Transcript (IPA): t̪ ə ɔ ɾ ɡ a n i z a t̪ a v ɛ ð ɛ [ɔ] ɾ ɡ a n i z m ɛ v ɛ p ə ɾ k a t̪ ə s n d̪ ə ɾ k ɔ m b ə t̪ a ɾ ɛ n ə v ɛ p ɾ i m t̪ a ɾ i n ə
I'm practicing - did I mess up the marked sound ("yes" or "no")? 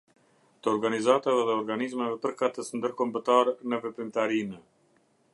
no